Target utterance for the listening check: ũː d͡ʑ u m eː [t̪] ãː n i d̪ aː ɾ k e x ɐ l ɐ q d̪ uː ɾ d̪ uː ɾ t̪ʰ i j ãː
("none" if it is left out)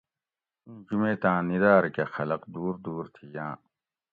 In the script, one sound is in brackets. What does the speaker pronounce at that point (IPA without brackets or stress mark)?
t̪